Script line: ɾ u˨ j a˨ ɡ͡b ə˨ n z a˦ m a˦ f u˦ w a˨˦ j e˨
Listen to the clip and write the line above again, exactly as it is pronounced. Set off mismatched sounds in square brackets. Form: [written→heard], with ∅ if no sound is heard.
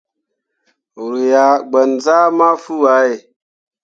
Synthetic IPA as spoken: ɾ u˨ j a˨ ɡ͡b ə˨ n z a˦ m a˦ f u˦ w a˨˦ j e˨